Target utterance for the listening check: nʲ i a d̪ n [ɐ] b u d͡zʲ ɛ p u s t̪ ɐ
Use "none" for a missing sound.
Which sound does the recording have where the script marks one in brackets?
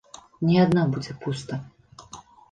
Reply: a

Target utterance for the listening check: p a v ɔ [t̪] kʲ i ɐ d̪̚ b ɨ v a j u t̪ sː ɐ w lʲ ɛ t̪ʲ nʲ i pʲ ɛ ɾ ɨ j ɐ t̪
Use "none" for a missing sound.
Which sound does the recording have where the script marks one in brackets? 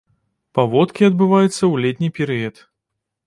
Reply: t̪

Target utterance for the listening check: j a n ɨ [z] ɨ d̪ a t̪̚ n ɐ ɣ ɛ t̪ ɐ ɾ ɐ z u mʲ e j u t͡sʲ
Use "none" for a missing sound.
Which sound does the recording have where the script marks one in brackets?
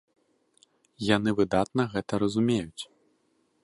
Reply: v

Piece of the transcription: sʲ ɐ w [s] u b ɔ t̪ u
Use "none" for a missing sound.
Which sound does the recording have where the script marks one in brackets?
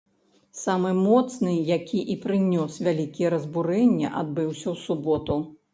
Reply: s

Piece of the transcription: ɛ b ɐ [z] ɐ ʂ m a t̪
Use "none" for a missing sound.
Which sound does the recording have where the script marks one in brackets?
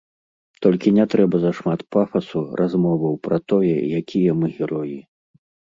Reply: z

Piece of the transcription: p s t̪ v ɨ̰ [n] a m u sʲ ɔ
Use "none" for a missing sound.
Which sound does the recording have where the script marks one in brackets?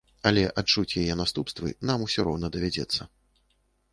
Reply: n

